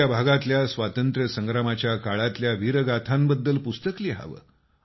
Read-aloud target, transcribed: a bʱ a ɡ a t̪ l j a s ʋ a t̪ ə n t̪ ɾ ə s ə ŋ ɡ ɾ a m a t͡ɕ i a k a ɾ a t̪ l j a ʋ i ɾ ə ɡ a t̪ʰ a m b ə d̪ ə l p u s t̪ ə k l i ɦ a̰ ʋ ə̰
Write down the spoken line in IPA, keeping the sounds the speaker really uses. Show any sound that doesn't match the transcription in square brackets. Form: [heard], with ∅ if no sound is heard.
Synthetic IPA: a bʱ a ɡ a t̪ l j a s ʋ a t̪ ə n t̪ ɾ ə s ə ŋ ɡ ɾ a m a t͡ɕ [j] a k a [ɭ] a t̪ l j a ʋ i ɾ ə ɡ a t̪ʰ a m b ə [d̪ː] ə l p u s t̪ ə k l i ɦ a̰ ʋ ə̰